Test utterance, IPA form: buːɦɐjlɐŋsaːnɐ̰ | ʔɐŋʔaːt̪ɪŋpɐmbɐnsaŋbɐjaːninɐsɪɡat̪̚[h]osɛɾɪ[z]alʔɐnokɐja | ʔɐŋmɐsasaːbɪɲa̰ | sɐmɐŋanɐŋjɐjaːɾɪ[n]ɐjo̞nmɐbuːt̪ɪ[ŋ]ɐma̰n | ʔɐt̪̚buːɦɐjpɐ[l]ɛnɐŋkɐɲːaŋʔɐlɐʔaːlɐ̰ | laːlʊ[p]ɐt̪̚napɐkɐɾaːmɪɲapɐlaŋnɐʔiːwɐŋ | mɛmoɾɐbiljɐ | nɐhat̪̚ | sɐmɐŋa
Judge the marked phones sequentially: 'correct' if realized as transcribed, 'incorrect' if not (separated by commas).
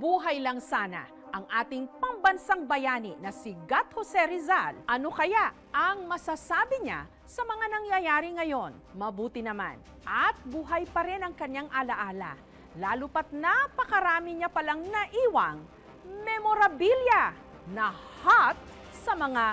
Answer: correct, correct, incorrect, incorrect, incorrect, correct